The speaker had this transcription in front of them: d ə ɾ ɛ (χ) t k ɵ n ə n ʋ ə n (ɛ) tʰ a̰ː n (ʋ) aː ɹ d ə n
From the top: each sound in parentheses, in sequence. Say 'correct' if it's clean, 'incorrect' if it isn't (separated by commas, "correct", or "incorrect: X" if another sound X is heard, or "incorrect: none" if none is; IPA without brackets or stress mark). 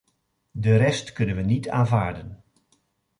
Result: incorrect: s, incorrect: i, incorrect: v